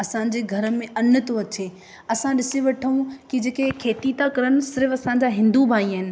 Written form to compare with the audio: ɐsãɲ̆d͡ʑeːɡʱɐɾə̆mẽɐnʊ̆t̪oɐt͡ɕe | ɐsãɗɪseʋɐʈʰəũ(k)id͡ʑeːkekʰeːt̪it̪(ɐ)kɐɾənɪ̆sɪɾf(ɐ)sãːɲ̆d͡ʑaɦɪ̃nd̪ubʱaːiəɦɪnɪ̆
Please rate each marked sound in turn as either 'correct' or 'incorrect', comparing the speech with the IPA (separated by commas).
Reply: correct, incorrect, correct